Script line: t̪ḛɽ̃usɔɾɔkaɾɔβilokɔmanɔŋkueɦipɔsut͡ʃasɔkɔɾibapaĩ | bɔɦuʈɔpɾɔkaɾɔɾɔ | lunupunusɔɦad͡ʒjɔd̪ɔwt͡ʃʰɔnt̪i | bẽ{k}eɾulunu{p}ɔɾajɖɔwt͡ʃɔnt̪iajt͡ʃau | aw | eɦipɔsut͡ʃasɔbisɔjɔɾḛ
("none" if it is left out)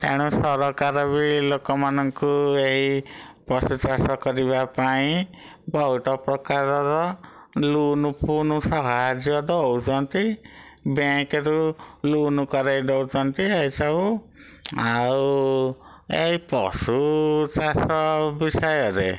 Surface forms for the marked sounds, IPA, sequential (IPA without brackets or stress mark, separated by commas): k, k